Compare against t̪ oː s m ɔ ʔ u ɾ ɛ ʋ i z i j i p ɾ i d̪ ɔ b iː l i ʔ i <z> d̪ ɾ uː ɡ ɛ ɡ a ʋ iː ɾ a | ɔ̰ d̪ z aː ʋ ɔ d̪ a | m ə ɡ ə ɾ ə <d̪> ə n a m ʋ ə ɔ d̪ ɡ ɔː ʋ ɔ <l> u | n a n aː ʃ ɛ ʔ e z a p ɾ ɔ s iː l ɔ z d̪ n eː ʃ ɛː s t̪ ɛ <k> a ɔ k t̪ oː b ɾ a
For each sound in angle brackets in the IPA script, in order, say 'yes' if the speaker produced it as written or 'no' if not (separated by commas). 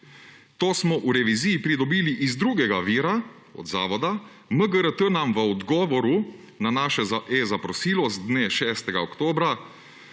yes, no, no, no